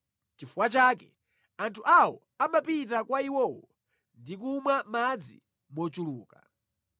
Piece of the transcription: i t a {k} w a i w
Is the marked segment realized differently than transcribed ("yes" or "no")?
no